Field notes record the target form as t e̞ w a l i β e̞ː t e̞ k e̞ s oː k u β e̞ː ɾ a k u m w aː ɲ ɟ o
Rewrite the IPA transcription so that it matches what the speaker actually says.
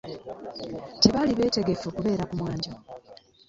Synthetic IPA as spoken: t e̞ β a l i β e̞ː t e̞ ɡ e̞ f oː k u β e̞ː ɾ a k u m w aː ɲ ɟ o